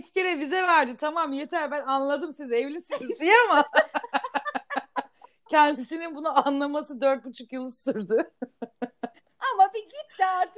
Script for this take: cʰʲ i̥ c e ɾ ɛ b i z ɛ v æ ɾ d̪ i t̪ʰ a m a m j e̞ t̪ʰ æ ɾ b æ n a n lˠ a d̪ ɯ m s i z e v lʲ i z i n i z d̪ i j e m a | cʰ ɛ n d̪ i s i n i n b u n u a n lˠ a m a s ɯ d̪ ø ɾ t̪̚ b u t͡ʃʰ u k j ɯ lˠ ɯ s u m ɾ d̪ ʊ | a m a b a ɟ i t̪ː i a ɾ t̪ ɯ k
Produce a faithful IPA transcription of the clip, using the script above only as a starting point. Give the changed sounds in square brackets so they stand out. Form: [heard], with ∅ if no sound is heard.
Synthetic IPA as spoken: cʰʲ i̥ c e ɾ ɛ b i z ɛ v æ ɾ d̪ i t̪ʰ a m a m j e̞ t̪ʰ æ ɾ b æ n a n lˠ a d̪ ɯ m s i z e v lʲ i [s] i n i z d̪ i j [a] m a | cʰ ɛ n d̪ i s i n i n b u n u a n lˠ a m a s ɯ d̪ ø ɾ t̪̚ b u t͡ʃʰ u k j ɯ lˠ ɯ s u [∅] ɾ d̪ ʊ | a m a b [i] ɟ i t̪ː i a ɾ t̪ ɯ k